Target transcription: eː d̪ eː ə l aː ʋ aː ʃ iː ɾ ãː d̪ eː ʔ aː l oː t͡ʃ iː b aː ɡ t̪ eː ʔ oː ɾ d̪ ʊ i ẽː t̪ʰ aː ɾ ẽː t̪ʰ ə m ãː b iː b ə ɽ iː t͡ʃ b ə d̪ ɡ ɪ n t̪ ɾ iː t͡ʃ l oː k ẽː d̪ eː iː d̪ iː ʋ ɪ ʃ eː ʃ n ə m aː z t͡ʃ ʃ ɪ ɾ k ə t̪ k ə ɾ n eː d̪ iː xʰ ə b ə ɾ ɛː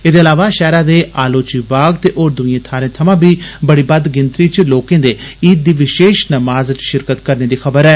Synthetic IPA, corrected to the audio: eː d̪ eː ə l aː ʋ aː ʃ ɛː ɾ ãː d̪ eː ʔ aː l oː t͡ʃ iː b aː ɡ t̪ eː ʔ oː ɾ d̪ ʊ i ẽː t̪ʰ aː ɾ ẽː t̪ʰ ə m ãː b iː b ə ɽ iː b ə d̪ ɡ ɪ n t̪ ɾ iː t͡ʃ l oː k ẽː d̪ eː iː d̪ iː ʋ ɪ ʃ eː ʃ n ə m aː z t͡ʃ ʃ ɪ ɾ k ə t̪ k ə ɾ n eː d̪ iː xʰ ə b ə ɾ ɛː

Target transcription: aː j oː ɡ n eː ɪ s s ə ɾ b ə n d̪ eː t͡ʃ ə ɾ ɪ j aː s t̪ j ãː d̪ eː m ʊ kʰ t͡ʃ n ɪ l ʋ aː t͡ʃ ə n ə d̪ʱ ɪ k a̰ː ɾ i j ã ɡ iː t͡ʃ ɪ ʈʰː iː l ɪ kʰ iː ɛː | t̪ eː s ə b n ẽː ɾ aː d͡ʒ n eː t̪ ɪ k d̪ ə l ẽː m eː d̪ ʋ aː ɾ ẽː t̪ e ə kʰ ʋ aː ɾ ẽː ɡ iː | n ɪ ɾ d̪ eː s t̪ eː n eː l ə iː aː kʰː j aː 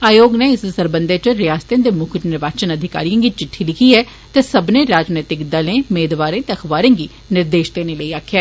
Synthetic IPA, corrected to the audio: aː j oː ɡ n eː ɪ s s ə ɾ b ə n d̪ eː t͡ʃ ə ɾ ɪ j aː s t̪ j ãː d̪ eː m ʊ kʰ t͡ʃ n ɪ ɾ ʋ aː t͡ʃ ə n ə d̪ʱ ɪ k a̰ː ɾ i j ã ɡ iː t͡ʃ ɪ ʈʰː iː l ɪ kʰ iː ɛː | t̪ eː s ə b n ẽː ɾ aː d͡ʒ n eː t̪ ɪ k d̪ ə l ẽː m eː d̪ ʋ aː ɾ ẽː t̪ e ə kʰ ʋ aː ɾ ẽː ɡ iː | n ɪ ɾ d̪ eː ʃ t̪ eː n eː l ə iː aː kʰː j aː

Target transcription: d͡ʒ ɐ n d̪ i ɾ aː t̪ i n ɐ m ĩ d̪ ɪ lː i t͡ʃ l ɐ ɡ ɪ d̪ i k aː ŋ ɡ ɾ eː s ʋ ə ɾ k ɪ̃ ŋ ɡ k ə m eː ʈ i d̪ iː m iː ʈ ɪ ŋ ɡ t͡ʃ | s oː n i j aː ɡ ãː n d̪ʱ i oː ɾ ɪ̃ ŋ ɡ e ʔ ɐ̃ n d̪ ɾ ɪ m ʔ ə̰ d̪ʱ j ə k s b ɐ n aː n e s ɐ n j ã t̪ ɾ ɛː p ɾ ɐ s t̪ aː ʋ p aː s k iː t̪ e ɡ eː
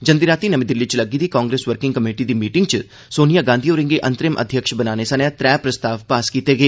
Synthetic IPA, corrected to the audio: d͡ʒ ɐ n d̪ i ɾ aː t̪ i n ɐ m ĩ d̪ ɪ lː i t͡ʃ l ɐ ɡ i d̪ i k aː ŋ ɡ ɾ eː s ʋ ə ɾ k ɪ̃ ŋ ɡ k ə m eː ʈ i d̪ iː m iː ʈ ɪ ŋ ɡ t͡ʃ | s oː n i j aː ɡ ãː n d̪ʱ i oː ɾ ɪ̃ ŋ ɡ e ʔ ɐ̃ n t̪ ɾ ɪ m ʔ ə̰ d̪ʱ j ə k ʃ b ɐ n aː n e s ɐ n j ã t̪ ɾ ɛː p ɾ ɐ s t̪ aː ʋ p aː s k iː t̪ e ɡ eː

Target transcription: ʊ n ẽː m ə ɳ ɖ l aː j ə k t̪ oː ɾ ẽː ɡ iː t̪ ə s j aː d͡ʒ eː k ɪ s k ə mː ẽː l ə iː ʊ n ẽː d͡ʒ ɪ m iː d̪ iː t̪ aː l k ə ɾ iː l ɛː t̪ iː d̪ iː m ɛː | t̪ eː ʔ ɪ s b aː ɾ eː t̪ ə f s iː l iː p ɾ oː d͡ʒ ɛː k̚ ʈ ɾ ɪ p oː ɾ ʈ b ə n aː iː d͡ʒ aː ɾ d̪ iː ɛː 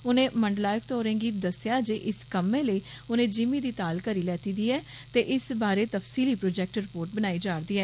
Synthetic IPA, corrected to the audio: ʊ n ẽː m ə ɳ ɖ l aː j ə k t̪ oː ɾ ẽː ɡ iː d̪ ə s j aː d͡ʒ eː ʔ ɪ s k ə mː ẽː l ə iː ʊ n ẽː d͡ʒ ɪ m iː d̪ iː t̪ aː l k ə ɾ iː l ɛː t̪ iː d̪ iː ɛː | t̪ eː ʔ ɪ s b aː ɾ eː t̪ ə f s iː l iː p ɾ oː d͡ʒ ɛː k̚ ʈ ɾ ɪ p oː ɾ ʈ b ə n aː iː d͡ʒ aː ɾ d̪ iː ɛː

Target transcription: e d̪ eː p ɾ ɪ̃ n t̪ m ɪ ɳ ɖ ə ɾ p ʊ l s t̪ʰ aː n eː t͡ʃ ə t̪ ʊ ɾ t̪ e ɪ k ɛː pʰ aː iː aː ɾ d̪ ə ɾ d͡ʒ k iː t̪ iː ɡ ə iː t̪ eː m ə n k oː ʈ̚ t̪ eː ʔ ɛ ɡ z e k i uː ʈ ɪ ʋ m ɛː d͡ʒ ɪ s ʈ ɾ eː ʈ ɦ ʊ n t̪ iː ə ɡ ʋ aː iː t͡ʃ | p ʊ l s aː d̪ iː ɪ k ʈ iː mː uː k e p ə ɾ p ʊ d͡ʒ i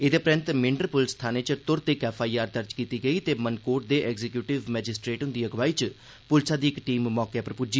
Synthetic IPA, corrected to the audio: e d̪ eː p ɾ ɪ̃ n t̪ m ɪ ɳ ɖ ə ɾ p ʊ l s t̪ʰ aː n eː t͡ʃ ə t̪ ʊ ɾ t̪ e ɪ k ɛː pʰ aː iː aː ɾ d̪ ə ɾ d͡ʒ k iː t̪ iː ɡ ə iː t̪ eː m ə n k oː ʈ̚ d̪ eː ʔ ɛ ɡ z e k j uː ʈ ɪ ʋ m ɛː d͡ʒ ɪ s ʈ ɾ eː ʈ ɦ ʊ n d̪ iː ə ɡ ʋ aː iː t͡ʃ | p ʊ l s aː d̪ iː ɪ k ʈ iː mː ɔː k e p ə ɾ p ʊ d͡ʒ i

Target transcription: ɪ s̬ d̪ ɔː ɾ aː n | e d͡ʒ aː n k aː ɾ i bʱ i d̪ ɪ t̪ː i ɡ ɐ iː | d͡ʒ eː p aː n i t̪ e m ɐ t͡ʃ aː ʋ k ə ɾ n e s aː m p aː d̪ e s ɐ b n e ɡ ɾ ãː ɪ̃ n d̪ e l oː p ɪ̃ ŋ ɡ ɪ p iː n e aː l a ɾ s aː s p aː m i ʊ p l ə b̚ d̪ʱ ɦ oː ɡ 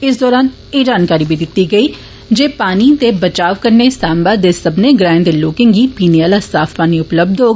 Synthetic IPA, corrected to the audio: ɪ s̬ d̪ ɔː ɾ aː n | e d͡ʒ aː n k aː ɾ i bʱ i d̪ ɪ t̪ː i ɡ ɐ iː | d͡ʒ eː p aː n i t̪ e b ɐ t͡ʃ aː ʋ k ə ɾ n e s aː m b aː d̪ e s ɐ b n e ɡ ɾ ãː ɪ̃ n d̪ e l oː k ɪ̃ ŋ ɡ i p iː n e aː l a s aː f p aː n i ʊ p l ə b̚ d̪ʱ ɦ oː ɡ

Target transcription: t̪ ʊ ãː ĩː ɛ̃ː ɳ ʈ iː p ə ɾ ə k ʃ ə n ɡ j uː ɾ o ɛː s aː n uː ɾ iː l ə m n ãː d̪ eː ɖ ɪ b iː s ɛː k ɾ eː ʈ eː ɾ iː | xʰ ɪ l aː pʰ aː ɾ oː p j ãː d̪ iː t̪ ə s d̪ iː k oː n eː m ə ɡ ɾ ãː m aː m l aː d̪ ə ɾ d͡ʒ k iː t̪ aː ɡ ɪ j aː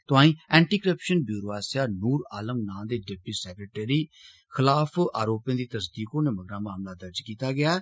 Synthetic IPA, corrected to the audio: t̪ ʊ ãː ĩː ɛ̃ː ɳ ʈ iː k ə ɾ ə p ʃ ə n b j uː ɾ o aː s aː n uː ɾ aː l ə m n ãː d̪ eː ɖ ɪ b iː s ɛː k ɾ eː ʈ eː ɾ iː | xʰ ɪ l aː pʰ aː ɾ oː p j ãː d̪ iː t̪ ə s d̪ iː k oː n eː m ə ɡ ɾ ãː m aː m l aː d̪ ə ɾ d͡ʒ k iː t̪ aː ɡ ɪ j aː

